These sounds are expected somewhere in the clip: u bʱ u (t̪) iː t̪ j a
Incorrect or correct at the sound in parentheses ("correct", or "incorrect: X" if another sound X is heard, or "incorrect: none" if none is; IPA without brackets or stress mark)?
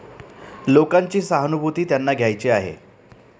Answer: correct